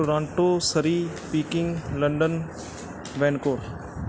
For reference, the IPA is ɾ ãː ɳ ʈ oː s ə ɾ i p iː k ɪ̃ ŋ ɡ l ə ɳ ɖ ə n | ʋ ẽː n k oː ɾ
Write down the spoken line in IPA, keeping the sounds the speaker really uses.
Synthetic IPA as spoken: ɾ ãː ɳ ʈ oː s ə ɾ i p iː k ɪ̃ ŋ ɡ l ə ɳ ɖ ə n | ʋ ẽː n k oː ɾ